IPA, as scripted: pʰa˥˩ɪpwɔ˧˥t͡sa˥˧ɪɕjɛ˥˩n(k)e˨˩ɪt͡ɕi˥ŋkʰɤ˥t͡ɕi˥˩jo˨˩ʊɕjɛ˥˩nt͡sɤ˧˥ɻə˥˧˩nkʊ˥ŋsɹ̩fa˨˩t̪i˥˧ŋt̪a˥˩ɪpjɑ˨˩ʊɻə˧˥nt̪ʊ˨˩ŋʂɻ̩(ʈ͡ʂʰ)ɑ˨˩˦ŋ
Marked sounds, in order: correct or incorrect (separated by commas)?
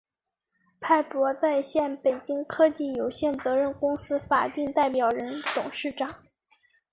incorrect, incorrect